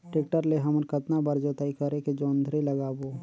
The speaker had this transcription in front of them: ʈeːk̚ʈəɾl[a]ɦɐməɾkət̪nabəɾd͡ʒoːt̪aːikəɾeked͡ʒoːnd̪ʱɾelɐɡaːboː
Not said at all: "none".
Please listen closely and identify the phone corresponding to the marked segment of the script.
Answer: e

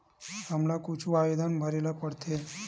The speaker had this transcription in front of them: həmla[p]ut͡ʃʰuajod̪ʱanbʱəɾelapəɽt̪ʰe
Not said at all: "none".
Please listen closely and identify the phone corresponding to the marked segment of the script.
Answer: k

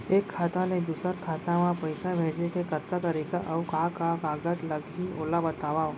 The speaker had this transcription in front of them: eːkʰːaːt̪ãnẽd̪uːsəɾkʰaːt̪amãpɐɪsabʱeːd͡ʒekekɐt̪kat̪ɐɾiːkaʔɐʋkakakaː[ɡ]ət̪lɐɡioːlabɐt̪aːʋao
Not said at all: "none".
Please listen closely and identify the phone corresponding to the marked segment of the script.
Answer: ɡ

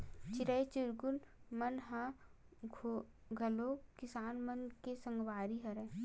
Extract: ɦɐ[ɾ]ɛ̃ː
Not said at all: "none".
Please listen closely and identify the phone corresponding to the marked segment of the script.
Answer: ɾ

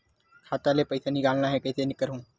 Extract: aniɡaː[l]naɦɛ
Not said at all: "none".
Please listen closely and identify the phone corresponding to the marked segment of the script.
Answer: l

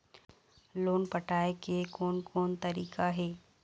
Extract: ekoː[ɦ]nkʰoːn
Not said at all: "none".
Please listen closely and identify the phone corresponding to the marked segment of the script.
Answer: none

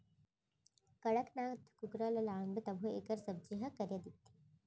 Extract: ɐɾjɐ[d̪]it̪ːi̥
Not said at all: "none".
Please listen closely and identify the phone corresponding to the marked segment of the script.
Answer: d̪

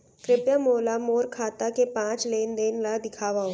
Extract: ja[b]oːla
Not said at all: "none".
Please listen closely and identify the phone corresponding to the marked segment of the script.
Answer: m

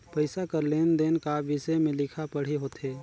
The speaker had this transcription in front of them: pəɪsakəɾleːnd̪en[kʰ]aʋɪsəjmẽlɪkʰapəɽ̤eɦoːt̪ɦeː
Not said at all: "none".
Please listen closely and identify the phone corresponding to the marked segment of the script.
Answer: k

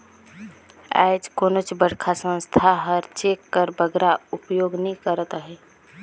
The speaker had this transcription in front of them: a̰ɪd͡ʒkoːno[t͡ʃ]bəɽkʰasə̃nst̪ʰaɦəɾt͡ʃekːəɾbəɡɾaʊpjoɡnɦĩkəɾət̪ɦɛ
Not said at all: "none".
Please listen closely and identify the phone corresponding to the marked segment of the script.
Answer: t͡ʃ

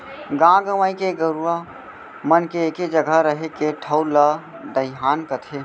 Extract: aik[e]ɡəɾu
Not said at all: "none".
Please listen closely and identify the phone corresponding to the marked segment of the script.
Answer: e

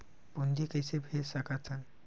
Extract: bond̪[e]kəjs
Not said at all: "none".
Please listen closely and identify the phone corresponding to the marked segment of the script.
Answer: i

